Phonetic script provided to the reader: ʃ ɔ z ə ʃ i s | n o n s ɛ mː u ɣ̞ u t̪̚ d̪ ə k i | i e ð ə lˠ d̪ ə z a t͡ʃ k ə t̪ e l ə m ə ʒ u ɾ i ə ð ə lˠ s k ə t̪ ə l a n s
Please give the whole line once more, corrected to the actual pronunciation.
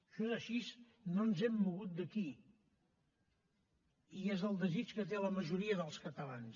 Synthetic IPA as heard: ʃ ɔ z ə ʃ i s | n o n z ɛ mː u ɣ̞ u t̪̚ d̪ ə k i | i e z ə lˠ d̪ ə z i t͡ʃ k ə t̪ e l ə m ə ʒ u ɾ i ə ð ə lˠ s k ə t̪ ə l a n s